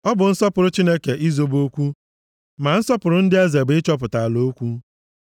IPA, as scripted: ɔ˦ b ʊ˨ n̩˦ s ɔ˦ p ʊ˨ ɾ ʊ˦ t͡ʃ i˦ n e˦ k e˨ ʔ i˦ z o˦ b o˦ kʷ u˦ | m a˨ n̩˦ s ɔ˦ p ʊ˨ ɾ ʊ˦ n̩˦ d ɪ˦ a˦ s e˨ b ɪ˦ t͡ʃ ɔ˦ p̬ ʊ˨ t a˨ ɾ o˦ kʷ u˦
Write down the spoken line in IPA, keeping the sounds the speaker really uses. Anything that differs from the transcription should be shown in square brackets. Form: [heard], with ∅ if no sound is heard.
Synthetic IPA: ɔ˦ b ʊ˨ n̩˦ s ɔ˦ p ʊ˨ ɾ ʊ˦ t͡ʃ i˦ n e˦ k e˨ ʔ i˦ z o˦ b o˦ kʷ u˦ | m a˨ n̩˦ s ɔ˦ p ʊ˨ ɾ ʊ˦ n̩˦ d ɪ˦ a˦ [z] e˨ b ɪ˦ t͡ʃ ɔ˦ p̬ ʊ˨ t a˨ [l] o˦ kʷ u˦

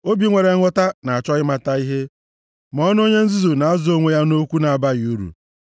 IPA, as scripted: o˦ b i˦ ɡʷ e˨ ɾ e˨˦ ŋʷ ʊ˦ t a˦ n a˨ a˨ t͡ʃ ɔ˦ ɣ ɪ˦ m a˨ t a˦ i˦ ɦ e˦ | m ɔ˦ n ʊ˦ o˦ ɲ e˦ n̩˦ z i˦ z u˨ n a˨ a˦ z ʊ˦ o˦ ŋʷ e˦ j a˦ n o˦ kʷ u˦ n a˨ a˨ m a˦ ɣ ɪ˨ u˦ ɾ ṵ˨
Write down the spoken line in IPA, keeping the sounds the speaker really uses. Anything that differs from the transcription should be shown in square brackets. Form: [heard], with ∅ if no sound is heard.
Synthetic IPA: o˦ b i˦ [ŋʷ] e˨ ɾ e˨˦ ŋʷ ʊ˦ t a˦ n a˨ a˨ t͡ʃ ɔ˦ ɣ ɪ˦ m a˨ t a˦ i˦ ɦ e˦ | m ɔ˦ n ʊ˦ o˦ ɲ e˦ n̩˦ z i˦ z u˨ n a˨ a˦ z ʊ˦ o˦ ŋʷ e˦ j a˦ n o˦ kʷ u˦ n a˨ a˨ [b] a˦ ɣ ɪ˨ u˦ ɾ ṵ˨

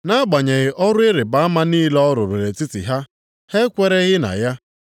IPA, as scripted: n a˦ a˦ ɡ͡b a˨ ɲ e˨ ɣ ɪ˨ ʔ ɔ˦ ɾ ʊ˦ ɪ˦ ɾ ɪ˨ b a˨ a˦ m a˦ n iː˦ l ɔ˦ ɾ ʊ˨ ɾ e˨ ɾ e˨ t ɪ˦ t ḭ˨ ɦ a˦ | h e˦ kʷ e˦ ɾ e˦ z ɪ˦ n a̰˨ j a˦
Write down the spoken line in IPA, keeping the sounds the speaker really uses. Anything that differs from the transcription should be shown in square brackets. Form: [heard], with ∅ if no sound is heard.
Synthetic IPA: n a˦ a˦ ɡ͡b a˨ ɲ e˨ ɣ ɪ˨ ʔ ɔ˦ ɾ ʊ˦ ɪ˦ ɾ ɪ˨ b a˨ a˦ m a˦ n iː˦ l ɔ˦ ɾ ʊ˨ ɾ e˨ ɾ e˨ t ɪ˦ t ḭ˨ ɦ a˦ | h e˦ kʷ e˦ ɾ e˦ [ɣ] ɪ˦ n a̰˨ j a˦

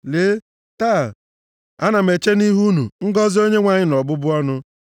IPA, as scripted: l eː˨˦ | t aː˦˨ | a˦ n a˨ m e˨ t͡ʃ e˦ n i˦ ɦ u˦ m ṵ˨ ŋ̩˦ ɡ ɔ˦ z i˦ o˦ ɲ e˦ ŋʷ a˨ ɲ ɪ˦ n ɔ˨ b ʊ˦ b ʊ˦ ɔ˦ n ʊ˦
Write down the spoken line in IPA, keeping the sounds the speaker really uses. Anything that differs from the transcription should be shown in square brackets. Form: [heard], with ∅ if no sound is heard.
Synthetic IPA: l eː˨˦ | t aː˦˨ | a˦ n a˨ m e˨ t͡ʃ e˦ n i˦ ɦ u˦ [n] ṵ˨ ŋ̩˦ ɡ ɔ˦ z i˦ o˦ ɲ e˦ ŋʷ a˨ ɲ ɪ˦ n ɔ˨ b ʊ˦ b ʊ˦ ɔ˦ n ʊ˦

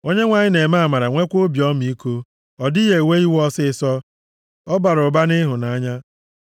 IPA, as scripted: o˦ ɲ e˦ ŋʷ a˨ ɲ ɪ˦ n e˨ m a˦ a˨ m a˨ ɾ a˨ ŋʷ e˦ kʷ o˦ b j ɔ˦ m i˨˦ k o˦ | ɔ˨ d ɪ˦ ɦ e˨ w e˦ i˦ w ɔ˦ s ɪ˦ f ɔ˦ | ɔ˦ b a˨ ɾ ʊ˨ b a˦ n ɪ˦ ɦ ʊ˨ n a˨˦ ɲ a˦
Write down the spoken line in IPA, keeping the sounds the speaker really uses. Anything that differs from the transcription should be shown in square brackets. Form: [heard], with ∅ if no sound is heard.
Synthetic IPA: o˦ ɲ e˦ ŋʷ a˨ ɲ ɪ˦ n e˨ m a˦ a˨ m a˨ ɾ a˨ ŋʷ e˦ kʷ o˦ b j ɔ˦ m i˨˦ k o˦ | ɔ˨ d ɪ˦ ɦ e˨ w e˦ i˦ w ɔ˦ s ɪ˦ [s] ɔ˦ | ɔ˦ b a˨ ɾ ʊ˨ b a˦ n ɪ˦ ɦ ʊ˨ n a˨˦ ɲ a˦

